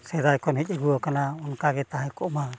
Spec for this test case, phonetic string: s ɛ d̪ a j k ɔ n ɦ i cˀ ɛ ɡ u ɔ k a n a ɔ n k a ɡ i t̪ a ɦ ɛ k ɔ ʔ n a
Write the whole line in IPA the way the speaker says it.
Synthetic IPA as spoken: s ɛ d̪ a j k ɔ n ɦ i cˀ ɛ ɡ u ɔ k a n a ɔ n k a ɡ ɛ t̪ a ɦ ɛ k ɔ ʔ m a

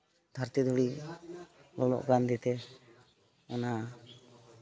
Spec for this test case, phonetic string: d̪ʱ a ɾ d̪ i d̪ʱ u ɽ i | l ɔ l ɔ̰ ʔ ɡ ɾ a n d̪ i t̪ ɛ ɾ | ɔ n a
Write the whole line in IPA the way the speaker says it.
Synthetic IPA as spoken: d̪ʱ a ɾ t̪ i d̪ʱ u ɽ i | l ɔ l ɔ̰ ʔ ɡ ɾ a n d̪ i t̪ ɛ | ɔ n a

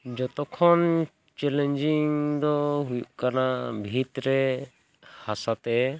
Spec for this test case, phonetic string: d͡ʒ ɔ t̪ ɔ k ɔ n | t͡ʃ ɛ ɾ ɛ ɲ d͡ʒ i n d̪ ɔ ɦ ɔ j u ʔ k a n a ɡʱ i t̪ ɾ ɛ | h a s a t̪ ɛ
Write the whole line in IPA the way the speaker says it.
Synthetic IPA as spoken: d͡ʒ ɔ t̪ ɔ kʰ ɔ n | t͡ʃ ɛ l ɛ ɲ d͡ʒ i ŋ d̪ ɔ ɦ u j u ʔ k a n a bʱ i t̪ ɾ ɛ | h a s a t̪ ɛ

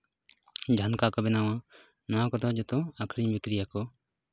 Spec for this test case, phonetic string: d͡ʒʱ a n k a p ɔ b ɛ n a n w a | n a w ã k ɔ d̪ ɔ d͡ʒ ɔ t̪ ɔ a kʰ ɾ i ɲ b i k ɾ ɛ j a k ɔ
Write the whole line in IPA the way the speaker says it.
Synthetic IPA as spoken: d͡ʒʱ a n k a k ɔ b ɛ n a w a | n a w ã k ɔ d̪ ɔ d͡ʒ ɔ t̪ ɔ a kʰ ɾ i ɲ b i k ɾ i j a k ɔ

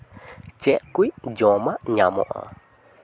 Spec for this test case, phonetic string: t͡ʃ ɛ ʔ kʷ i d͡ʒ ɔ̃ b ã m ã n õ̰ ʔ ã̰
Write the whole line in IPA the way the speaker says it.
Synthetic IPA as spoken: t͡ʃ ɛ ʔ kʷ i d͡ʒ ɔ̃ m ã ɲ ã m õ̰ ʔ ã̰

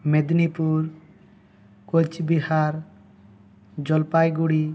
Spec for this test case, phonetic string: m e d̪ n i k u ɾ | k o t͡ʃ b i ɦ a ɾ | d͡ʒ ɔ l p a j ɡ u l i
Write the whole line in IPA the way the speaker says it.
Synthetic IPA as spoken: m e d̪ n i p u ɾ | k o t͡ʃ b i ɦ a ɾ | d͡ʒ ɔ l p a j ɡ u ɽ i

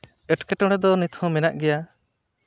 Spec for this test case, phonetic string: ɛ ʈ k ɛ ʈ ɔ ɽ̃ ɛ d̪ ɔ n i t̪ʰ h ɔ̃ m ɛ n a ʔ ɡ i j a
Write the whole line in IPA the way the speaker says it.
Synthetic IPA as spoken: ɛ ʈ k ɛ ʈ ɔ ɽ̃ ɛ d̪ ɔ n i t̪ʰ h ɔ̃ m ɛ n a ʔ ɡ ɛ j a

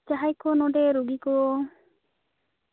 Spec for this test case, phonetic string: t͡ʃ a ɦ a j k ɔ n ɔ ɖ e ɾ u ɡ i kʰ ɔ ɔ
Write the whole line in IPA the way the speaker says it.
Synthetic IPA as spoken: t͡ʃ a ɦ a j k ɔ n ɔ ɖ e ɾ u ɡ i k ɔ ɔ

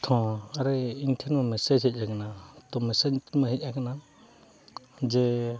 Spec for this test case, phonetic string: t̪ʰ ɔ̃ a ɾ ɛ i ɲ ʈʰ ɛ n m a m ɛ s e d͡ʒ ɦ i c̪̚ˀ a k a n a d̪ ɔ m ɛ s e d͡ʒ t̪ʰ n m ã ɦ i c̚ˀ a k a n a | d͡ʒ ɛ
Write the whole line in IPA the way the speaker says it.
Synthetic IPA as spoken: t̪ʰ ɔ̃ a ɾ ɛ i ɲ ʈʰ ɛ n m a m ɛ s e d͡ʒ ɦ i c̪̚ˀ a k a n a t̪ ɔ m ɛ s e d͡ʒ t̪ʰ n m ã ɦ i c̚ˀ a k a n a | d͡ʒ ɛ

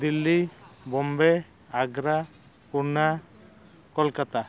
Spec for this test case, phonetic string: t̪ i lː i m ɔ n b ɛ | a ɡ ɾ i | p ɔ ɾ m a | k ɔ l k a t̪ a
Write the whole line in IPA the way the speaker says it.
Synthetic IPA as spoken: d̪ i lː i b ɔ m b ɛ | a ɡ ɾ a | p u ɾ n a | k ɔ l k a t̪ a

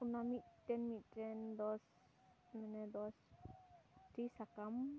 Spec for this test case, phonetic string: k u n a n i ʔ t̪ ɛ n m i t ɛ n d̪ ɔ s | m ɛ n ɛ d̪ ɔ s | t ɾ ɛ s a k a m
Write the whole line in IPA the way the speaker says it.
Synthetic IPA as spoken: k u n a m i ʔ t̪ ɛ n m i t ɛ n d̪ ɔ s | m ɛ n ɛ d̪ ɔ s | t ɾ i s a k a m

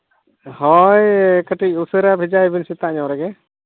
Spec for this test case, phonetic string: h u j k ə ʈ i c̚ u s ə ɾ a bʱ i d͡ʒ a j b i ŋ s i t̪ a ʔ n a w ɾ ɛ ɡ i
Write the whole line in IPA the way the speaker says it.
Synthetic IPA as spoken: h ɔ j k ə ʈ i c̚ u s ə ɾ a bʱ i d͡ʒ a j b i n s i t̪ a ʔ ɲ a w ɾ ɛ ɡ ɛ

